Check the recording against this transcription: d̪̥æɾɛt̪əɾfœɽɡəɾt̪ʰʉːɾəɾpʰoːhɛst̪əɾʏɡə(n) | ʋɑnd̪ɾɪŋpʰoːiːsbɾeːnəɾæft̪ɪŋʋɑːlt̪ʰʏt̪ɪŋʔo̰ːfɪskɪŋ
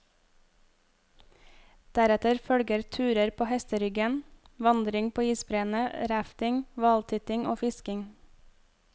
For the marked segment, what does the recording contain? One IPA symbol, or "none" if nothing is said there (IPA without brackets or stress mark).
n